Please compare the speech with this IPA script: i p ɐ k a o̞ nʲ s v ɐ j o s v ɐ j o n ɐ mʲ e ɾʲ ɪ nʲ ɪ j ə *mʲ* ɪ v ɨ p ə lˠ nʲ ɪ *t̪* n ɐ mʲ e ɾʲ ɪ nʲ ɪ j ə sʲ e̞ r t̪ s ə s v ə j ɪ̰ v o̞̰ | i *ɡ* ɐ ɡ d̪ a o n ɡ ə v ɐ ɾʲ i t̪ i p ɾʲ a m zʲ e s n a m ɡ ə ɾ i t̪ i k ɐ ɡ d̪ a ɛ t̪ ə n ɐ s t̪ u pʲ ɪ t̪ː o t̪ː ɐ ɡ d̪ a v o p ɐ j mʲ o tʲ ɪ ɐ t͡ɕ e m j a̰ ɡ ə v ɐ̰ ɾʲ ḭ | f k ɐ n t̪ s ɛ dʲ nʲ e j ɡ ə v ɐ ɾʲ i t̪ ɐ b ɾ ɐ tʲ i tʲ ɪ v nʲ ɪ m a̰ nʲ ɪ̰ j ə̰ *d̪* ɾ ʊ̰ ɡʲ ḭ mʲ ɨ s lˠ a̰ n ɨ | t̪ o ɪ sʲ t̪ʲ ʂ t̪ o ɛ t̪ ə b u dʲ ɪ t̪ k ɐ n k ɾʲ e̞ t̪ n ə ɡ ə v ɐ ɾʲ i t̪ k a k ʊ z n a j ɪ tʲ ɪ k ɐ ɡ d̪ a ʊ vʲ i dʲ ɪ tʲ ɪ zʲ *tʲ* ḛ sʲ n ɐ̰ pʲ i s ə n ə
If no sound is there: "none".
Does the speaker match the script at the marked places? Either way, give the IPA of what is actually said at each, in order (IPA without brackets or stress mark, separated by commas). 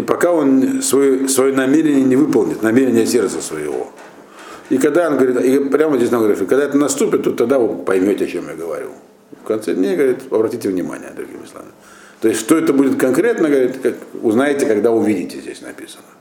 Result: nʲ, t̪, k, d̪, dʲ